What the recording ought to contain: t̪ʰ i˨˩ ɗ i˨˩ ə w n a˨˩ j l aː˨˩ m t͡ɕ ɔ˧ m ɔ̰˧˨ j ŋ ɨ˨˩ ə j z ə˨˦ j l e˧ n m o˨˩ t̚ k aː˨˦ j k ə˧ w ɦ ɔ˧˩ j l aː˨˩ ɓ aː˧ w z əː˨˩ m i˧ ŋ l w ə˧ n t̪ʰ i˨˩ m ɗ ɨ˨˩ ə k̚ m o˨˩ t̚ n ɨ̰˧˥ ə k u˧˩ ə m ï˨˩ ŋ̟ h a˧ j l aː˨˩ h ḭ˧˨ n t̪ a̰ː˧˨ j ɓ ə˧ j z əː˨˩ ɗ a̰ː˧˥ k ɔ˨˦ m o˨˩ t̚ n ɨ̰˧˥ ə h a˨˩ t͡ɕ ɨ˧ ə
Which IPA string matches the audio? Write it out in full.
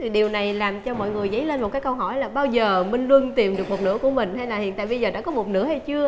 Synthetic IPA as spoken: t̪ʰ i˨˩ ɗ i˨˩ ə w n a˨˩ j l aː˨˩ m t͡ɕ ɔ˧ m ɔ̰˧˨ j ŋ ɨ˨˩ ə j z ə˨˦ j l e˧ n m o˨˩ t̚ k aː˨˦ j k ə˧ w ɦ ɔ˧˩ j l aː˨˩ ɓ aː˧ w z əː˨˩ m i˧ ŋ l w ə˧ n t̪ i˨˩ m ɗ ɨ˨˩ ə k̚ m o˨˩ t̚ n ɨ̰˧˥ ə k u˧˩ ə m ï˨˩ ŋ̟ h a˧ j l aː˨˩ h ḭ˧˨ n t̪ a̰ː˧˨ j ɓ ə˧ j z əː˨˩ ɗ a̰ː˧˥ k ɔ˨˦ m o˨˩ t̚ n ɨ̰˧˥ ə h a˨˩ t͡ɕ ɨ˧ ə